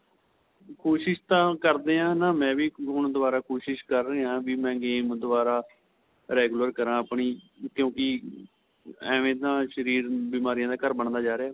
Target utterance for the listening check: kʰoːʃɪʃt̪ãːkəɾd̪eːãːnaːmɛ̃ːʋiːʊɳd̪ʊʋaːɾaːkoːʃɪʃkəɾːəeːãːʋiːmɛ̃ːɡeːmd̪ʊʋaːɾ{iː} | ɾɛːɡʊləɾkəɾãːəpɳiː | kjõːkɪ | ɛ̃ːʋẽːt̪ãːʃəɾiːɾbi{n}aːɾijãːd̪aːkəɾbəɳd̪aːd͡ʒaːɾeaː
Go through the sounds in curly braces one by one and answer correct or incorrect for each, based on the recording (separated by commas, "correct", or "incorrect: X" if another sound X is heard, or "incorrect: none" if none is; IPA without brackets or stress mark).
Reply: incorrect: aː, incorrect: m